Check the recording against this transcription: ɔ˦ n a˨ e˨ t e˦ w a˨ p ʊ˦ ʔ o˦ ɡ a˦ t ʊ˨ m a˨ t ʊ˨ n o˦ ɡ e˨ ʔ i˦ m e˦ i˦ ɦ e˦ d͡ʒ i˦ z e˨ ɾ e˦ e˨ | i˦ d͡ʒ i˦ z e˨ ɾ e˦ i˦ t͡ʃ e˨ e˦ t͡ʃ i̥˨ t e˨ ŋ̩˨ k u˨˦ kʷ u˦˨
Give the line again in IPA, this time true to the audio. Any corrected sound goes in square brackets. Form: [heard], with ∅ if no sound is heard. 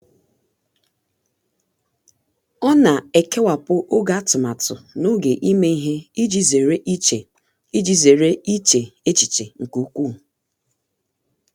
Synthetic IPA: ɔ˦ n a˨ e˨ [k] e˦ w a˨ p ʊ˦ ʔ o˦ ɡ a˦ t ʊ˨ m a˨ t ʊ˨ n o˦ ɡ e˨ ʔ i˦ m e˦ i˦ ɦ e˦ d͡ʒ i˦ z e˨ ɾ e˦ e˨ | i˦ d͡ʒ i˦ z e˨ ɾ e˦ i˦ t͡ʃ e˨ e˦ t͡ʃ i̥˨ [t͡ʃ] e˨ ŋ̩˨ k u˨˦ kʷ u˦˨

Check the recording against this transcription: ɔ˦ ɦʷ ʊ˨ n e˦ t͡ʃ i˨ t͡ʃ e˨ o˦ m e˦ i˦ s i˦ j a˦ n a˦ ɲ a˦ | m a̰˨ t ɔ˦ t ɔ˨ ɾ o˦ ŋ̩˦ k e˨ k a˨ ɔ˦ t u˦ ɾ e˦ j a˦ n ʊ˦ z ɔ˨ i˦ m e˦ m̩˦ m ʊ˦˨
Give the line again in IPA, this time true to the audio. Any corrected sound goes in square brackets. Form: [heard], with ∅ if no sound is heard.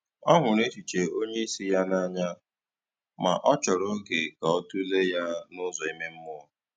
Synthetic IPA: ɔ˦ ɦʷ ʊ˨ n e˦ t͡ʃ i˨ t͡ʃ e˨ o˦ [ɲ] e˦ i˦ s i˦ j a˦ n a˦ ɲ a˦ | m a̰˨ [ʔ] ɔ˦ [t͡ʃ] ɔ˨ ɾ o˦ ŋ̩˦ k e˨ k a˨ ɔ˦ t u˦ [l] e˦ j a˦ n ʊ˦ z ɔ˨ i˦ m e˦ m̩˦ m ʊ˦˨

